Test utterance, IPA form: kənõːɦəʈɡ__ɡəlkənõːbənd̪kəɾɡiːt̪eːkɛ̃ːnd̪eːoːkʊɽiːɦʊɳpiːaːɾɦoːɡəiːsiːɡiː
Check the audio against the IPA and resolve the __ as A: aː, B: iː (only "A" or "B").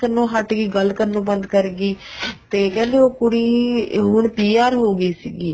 B